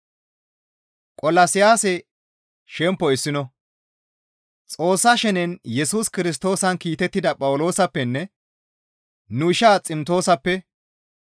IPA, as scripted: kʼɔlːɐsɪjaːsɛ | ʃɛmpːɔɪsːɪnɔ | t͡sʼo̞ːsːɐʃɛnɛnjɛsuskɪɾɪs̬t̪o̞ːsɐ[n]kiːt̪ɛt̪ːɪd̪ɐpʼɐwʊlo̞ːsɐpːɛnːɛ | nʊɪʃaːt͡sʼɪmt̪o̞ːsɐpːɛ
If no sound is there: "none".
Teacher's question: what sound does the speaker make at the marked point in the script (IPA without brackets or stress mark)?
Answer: n